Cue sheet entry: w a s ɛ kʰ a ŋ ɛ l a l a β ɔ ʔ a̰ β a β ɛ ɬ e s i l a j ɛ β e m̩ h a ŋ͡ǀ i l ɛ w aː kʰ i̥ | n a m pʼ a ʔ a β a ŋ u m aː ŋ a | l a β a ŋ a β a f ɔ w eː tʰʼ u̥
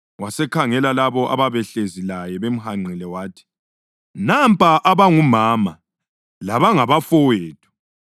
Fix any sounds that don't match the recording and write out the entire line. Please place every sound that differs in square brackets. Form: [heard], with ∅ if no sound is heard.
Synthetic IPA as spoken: w a s ɛ kʰ a ŋ ɛ l a l a β ɔ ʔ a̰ β a β ɛ ɬ e [z] i l a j ɛ β e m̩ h a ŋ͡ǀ i l ɛ w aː [tʰ] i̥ | n a m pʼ a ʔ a β a ŋ u m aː [m] a | l a β a ŋ a β a f ɔ w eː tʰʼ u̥